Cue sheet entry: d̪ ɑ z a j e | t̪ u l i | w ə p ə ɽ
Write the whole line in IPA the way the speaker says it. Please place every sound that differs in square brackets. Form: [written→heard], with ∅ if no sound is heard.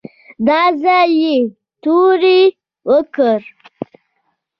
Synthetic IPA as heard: d̪ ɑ z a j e | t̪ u [l→ɾ] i | w ə [p→k] ə [ɽ→ɾ]